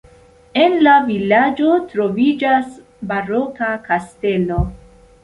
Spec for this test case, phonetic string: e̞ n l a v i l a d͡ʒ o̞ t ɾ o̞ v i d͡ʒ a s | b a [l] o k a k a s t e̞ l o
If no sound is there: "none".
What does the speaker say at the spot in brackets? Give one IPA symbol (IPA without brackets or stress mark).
ɾ